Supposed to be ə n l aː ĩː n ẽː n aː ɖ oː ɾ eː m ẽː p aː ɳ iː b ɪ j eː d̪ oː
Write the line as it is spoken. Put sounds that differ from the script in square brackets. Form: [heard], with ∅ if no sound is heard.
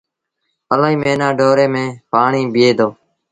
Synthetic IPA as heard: ə [∅] l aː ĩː [m] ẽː n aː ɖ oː ɾ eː m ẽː p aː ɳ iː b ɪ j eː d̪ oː